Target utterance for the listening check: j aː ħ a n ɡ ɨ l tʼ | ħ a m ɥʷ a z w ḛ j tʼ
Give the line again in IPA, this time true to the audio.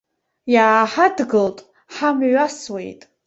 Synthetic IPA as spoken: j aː ħ a d ɡ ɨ l tʼ | ħ a m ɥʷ a s w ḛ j tʼ